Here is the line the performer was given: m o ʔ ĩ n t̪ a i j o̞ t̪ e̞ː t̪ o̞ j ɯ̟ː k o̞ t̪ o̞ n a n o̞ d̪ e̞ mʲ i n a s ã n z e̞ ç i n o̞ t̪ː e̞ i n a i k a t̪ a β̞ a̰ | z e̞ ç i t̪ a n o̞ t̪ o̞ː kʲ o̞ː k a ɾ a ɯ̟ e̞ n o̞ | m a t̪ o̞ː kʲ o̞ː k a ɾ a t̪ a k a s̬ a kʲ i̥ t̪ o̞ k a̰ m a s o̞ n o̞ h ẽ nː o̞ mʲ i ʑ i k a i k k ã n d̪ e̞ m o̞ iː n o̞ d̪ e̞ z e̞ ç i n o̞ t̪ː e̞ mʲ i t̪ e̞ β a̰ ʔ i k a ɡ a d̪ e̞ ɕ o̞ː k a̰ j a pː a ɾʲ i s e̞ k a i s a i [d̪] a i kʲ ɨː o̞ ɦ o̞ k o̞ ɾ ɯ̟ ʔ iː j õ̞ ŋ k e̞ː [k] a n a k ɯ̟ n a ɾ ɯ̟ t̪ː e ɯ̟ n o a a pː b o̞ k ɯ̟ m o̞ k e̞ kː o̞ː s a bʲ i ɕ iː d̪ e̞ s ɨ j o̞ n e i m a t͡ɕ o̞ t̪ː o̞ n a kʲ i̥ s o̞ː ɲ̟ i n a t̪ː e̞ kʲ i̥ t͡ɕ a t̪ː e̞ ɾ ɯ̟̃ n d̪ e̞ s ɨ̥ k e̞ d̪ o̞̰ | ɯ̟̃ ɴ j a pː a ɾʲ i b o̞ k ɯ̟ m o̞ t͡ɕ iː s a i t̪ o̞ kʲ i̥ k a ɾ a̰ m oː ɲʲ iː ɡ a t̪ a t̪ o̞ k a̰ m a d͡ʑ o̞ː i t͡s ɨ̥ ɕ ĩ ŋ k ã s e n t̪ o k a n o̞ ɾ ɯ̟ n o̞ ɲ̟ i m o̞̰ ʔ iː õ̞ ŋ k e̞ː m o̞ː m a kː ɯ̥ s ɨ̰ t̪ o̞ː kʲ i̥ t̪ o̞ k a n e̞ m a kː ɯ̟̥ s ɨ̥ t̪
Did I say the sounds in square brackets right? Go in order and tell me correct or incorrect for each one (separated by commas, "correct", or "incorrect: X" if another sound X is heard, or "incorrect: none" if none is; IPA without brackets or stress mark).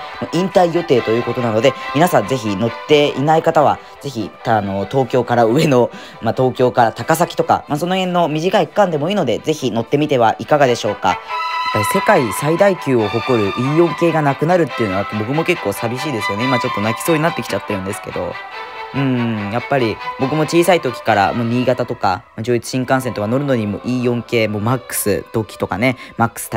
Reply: correct, incorrect: ɡ